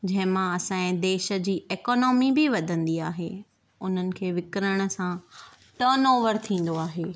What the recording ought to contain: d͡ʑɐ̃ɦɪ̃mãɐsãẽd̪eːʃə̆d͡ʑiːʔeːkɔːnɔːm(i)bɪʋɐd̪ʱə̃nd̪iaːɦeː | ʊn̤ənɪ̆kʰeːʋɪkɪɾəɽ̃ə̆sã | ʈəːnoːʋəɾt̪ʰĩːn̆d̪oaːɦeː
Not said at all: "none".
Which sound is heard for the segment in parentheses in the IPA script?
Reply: i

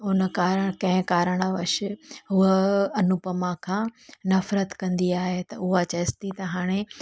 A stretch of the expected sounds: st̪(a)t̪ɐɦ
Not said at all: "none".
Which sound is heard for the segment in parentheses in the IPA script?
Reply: i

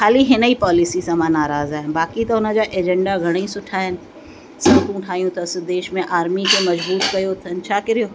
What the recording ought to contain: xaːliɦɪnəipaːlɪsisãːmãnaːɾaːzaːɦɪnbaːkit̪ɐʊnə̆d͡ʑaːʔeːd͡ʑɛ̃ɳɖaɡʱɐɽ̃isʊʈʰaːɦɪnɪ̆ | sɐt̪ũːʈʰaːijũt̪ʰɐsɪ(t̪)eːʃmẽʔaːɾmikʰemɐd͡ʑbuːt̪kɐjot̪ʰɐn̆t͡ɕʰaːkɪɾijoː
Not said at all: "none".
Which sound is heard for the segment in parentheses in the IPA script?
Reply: d̪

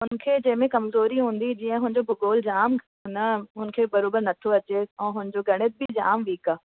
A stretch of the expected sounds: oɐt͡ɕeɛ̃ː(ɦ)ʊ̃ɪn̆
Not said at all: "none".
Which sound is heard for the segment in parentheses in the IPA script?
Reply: ɦ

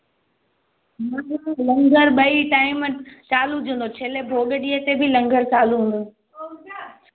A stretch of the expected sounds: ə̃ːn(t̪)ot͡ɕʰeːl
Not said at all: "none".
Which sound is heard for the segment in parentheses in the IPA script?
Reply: d̪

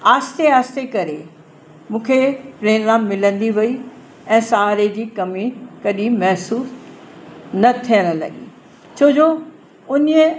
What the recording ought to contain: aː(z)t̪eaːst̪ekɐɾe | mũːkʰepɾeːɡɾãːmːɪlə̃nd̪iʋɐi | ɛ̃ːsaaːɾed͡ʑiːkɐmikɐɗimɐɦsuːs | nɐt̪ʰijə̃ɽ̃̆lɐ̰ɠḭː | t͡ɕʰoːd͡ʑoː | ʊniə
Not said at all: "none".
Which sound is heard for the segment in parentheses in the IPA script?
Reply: s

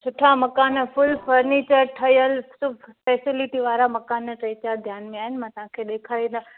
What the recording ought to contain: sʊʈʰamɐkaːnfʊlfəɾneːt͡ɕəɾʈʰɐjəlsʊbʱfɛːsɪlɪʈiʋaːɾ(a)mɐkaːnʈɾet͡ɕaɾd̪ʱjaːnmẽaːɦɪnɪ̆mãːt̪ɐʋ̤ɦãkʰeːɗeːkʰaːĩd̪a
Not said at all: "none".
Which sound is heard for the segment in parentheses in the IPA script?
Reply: a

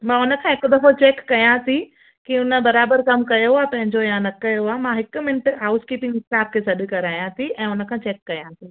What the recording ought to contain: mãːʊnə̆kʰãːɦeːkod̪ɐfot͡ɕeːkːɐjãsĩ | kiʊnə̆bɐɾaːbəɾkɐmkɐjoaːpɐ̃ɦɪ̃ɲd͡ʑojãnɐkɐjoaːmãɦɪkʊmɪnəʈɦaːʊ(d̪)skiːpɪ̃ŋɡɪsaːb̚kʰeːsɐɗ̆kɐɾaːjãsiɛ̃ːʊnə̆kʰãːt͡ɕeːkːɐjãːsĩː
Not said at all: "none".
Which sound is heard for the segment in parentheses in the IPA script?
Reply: none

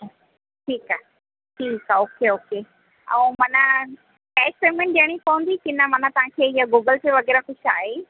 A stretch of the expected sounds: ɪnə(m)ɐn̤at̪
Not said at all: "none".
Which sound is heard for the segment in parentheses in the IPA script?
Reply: m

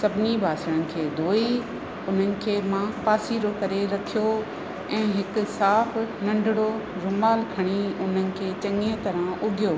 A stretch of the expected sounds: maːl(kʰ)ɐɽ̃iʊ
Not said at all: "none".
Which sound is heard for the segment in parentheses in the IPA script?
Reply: kʰ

